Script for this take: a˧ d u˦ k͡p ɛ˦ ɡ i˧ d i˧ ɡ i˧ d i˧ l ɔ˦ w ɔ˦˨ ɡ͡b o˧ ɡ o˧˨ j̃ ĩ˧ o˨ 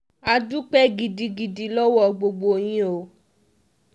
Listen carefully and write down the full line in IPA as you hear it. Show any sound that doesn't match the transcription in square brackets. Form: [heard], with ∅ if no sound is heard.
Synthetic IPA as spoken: a˧ d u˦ k͡p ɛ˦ ɡ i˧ d i˧ ɡ i˧ d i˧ l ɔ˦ w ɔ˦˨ ɡ͡b o˧ [ɡ͡b] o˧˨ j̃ ĩ˧ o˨